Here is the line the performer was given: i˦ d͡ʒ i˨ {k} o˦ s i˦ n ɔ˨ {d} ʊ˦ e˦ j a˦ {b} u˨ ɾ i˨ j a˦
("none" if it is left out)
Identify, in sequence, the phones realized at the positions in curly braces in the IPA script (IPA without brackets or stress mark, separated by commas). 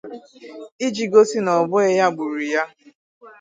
ɡ, b, ɡ͡b